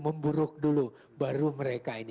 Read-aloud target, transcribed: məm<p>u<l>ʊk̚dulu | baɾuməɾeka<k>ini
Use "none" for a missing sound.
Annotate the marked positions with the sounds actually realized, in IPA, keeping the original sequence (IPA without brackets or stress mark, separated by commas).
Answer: b, ɾ, none